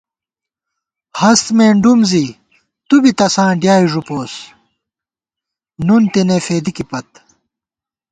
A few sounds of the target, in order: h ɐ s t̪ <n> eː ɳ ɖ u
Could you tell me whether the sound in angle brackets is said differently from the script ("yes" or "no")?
yes